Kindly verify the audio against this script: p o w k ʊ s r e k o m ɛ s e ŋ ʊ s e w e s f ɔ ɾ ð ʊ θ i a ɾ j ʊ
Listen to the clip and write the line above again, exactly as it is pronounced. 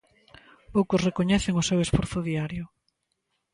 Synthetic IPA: p o w k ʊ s r e k o ɲ ɛ θ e ŋ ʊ s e w e s f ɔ ɾ θ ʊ ð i a ɾ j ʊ